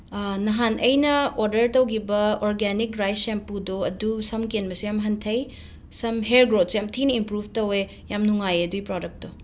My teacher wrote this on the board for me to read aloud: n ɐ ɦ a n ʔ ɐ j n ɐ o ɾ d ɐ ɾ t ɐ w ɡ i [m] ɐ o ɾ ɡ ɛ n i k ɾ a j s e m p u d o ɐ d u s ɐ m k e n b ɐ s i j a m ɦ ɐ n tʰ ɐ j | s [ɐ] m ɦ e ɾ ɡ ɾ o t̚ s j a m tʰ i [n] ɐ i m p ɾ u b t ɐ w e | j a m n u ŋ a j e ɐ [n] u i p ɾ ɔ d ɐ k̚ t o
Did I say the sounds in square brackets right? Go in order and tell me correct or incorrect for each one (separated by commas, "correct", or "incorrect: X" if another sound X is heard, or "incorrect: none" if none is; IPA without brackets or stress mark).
incorrect: b, correct, correct, incorrect: d